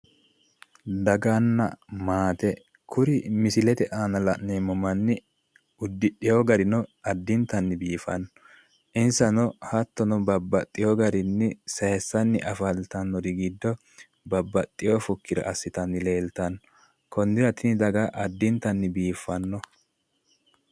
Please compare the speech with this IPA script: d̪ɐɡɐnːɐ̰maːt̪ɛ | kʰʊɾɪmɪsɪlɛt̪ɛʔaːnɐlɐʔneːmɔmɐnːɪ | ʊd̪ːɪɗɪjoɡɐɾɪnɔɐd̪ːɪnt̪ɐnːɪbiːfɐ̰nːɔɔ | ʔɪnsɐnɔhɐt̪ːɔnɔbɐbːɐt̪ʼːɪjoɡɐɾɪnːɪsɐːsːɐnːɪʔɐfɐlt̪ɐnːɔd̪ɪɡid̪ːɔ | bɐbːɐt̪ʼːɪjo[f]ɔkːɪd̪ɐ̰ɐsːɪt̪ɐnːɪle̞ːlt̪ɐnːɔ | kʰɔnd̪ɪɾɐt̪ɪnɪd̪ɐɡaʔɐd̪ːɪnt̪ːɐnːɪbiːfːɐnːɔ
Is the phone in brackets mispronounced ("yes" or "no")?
no